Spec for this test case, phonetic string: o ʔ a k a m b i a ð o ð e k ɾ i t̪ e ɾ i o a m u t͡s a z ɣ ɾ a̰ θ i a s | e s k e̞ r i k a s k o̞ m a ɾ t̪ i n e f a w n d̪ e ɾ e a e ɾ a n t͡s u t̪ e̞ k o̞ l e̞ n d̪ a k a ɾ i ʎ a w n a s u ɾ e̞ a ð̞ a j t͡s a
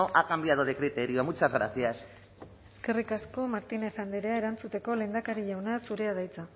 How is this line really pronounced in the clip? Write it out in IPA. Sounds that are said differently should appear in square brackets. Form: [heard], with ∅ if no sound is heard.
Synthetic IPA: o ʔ a k a m b i a ð o ð e k ɾ i t̪ e ɾ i o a m u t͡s a z ɣ ɾ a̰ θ i a s | e s k e̞ r i k a s k o̞ m a ɾ t̪ i n e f a [∅] n d̪ e ɾ e a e ɾ a n t͡s u t̪ e̞ k o̞ l e̞ n d̪ a k a ɾ i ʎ a w n a s u ɾ e̞ a ð̞ a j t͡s a